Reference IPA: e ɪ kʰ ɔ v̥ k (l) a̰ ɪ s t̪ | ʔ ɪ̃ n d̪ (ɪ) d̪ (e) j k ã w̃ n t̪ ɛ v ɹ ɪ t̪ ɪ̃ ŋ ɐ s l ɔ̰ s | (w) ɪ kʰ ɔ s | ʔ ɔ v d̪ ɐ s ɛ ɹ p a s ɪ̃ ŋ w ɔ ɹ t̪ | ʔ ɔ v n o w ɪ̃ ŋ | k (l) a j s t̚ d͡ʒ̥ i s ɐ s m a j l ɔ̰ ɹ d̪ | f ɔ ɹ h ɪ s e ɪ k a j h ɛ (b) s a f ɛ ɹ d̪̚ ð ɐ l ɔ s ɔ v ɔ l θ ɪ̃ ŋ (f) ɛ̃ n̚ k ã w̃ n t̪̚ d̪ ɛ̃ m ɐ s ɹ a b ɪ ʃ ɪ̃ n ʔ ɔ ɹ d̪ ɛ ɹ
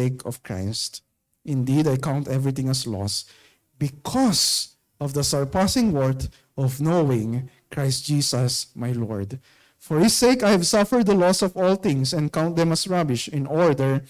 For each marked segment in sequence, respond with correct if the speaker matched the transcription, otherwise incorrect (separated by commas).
incorrect, incorrect, incorrect, incorrect, incorrect, incorrect, incorrect